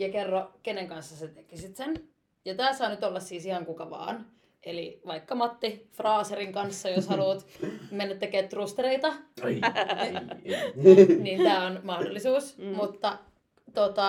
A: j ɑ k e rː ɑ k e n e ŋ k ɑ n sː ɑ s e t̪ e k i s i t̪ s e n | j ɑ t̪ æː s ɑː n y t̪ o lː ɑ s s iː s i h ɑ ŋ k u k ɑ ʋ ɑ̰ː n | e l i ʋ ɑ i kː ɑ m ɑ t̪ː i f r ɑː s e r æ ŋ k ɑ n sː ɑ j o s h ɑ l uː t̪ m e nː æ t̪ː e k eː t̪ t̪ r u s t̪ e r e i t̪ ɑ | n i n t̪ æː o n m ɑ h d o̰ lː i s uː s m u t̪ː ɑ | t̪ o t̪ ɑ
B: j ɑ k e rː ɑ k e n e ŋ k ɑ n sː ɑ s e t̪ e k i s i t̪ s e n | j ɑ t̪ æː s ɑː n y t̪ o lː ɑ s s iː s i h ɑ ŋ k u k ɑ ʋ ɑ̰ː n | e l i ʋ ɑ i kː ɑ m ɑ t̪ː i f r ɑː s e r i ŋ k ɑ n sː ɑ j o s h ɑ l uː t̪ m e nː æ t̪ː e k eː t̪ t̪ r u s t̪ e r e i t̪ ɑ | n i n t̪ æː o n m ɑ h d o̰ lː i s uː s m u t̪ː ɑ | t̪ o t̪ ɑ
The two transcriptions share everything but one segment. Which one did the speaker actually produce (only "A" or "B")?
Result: B